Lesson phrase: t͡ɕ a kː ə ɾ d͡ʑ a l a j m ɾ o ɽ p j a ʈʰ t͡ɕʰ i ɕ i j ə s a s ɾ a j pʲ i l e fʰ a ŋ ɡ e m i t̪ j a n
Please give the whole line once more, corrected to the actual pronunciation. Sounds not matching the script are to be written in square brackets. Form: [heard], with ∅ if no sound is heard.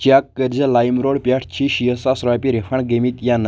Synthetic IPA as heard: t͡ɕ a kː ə ɾ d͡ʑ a l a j m ɾ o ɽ p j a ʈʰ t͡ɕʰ i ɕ i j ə s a s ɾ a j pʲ i [ɾ] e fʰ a [ɳ] ɡ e m i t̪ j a n

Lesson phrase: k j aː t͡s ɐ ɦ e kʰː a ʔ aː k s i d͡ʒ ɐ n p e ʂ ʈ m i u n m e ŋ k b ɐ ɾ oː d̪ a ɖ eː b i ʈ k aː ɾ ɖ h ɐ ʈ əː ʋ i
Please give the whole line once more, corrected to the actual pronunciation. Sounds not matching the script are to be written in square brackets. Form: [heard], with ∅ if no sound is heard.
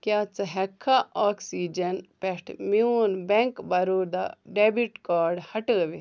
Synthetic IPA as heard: k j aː t͡s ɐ ɦ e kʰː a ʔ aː k s i d͡ʒ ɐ n p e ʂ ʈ m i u n [b] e ŋ k b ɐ ɾ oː d̪ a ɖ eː b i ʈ k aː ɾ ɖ h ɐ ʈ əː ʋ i

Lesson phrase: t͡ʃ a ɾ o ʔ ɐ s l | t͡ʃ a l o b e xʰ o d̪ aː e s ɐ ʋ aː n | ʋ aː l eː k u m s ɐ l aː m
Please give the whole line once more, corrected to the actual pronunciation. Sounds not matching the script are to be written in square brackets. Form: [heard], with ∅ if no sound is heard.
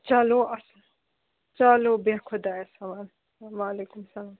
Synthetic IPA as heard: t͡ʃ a [l] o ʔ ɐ s l | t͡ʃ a l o b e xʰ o d̪ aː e s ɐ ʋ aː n | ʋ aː l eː k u m s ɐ l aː m

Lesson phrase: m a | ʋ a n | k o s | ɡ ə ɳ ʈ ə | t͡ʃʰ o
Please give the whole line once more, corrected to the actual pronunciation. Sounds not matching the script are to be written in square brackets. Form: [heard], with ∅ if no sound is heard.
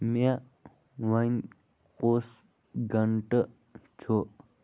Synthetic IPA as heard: m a | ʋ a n | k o s | ɡ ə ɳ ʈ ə | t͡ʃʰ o

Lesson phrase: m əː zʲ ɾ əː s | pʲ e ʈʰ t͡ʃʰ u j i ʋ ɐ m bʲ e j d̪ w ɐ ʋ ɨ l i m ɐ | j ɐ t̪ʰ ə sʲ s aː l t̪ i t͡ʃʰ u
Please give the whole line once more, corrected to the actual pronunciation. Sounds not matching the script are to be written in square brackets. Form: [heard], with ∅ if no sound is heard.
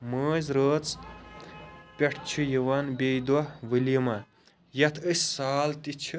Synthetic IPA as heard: m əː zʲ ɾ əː [t͡s] | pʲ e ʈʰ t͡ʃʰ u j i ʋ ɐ [n] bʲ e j d̪ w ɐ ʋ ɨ l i m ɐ | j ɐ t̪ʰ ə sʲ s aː l t̪ i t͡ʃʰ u

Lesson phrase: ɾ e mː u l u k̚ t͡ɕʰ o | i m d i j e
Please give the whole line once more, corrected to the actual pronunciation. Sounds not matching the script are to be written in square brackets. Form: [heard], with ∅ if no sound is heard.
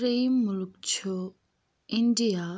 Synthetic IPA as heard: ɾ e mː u l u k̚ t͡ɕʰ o | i [n] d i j [a]

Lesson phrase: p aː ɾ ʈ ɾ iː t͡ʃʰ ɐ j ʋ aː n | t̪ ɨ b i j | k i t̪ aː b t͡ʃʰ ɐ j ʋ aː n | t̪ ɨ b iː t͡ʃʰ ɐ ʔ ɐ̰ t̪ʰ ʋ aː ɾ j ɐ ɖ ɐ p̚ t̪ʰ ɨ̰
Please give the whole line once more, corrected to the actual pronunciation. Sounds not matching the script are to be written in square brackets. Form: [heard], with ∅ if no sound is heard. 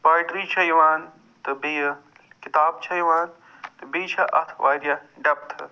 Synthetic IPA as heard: p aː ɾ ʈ ɾ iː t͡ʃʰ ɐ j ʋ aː n | t̪ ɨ b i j | k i t̪ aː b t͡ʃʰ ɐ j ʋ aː n | t̪ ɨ b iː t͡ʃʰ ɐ ʔ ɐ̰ t̪ʰ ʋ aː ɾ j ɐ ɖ ɐ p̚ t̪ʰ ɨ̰

